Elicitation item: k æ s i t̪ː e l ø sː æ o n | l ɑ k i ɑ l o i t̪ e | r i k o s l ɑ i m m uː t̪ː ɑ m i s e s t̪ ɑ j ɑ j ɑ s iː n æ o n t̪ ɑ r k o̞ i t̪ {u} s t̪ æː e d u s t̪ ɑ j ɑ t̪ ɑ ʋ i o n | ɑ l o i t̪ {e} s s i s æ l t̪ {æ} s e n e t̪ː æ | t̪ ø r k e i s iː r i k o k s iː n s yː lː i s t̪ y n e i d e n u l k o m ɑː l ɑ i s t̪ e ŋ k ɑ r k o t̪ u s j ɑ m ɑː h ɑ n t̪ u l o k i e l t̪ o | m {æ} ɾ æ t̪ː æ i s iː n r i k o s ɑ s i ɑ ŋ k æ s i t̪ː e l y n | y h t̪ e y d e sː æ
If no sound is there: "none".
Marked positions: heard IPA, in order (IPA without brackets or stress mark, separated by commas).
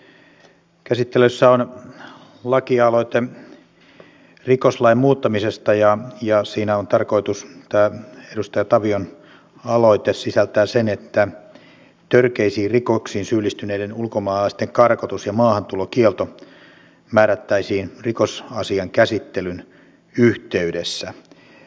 u, e, æː, æː